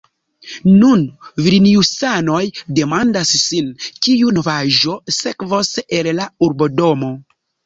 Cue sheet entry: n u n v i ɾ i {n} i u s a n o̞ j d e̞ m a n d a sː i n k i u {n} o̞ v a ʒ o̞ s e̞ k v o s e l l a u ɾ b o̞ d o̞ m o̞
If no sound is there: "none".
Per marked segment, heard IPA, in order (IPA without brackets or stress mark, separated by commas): n, n